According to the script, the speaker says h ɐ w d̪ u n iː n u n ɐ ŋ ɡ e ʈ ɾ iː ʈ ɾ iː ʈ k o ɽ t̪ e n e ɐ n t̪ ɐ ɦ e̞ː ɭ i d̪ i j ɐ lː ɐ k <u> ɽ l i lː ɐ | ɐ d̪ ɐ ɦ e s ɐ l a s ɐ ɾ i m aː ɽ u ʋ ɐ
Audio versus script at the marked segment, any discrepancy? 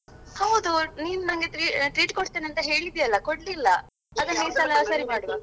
yes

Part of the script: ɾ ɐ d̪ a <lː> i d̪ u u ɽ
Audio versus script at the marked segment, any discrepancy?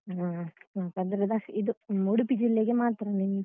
yes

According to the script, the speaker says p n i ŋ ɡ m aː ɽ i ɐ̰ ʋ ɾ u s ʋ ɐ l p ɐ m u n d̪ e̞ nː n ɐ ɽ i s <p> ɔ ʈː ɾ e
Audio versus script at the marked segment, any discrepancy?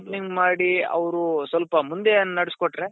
yes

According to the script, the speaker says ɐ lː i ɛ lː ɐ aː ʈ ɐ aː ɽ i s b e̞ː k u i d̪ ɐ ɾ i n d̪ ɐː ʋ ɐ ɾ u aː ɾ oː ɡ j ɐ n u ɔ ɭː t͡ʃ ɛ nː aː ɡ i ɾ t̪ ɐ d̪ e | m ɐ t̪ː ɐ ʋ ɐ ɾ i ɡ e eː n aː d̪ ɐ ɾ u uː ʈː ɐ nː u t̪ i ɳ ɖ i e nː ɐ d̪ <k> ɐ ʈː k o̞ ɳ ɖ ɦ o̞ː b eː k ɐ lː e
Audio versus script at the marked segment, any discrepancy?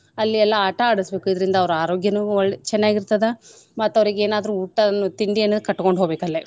no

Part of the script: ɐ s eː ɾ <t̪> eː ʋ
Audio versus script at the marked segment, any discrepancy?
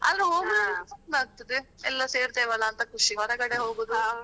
no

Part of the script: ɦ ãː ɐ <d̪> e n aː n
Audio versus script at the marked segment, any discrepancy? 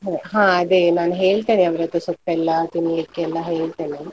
no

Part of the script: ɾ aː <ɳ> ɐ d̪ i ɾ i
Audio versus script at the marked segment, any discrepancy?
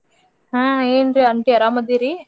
yes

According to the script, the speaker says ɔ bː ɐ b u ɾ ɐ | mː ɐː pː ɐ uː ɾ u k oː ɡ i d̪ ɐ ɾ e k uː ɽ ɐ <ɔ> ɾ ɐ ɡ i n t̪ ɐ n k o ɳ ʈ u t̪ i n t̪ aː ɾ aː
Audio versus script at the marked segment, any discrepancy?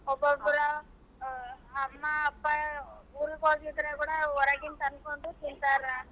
no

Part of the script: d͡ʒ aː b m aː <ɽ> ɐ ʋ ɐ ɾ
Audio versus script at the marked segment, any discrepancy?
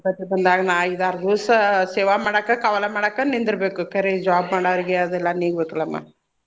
no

